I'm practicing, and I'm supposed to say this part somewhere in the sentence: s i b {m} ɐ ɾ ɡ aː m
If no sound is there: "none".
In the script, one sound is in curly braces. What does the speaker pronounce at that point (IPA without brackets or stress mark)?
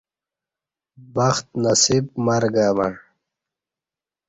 m